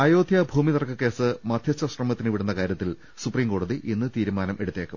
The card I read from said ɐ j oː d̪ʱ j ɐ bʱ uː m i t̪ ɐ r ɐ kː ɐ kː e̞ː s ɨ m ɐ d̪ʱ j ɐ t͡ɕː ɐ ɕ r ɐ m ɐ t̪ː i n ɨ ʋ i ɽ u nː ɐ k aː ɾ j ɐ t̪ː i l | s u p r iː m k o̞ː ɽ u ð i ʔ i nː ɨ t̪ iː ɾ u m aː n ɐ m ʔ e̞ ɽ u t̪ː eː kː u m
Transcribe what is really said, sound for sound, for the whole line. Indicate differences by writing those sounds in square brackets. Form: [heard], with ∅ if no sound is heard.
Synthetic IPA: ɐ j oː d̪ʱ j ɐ bʱ uː m i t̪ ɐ r ɐ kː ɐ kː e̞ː s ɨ m ɐ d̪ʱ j ɐ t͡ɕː ɐ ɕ r ɐ m ɐ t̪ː i n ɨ ʋ i ɽ u nː ɐ k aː ɾ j ɐ t̪ː i l | s u p r iː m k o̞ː ɽ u ð i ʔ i nː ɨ t̪ iː ɾ u m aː n ɐ m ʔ e̞ ɽ u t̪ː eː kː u m